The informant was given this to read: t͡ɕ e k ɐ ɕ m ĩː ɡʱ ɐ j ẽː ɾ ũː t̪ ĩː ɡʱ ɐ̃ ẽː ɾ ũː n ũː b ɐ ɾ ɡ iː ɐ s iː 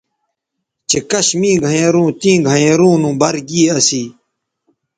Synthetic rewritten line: t͡ɕ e k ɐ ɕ m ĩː ɡʱ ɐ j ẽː ɾ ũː t̪ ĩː ɡʱ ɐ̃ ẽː ɾ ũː n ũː b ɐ ɾ ɡ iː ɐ s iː